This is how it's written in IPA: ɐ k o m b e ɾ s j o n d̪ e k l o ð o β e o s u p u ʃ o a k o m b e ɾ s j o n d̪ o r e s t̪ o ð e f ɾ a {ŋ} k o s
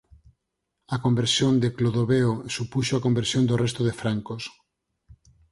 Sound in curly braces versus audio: correct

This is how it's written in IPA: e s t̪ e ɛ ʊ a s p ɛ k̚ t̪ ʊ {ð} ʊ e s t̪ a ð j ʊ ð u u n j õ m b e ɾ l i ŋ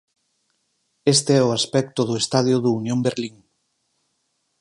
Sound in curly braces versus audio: correct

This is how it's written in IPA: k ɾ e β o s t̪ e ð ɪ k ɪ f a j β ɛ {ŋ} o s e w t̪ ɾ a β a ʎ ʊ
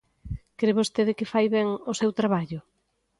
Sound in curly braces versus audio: correct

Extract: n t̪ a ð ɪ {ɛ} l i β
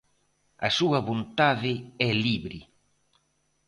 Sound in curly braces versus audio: correct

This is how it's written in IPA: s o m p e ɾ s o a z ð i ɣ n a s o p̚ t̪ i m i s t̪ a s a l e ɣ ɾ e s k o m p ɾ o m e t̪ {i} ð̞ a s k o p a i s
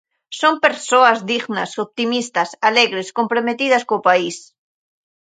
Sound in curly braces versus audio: correct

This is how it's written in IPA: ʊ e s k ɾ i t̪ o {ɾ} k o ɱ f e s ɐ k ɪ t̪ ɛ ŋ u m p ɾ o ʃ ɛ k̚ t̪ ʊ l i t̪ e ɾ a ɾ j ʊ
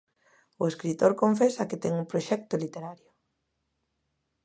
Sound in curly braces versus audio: correct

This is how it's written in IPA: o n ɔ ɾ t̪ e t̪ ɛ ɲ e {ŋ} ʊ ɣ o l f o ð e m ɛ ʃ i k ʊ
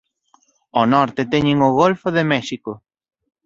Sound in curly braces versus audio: correct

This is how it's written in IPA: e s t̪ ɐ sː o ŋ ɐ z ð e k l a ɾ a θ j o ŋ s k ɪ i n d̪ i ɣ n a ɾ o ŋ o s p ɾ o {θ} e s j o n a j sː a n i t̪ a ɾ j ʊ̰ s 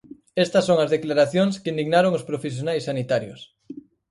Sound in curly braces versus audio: incorrect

